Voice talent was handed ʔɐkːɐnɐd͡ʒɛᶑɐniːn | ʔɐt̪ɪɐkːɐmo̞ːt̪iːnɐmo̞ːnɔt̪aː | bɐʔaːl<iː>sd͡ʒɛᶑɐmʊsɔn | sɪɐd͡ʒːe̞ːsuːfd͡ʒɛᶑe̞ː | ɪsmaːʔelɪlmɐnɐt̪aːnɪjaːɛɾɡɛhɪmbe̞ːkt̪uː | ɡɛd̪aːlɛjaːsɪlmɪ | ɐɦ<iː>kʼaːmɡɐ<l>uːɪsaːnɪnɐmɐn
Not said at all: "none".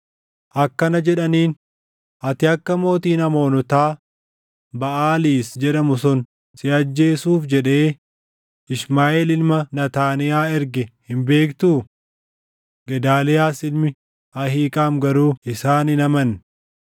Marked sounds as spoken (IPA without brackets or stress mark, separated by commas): iː, iː, ɾ